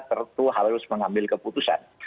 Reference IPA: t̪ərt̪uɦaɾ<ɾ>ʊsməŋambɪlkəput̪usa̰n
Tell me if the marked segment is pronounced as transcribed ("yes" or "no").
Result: yes